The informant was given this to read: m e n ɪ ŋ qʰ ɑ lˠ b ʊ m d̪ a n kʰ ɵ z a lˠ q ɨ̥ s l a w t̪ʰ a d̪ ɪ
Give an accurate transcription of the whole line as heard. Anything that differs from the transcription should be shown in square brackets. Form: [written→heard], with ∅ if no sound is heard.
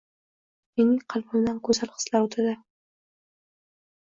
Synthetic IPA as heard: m e n ɪ ŋ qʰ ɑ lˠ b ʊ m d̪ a n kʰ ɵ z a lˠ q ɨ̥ s l a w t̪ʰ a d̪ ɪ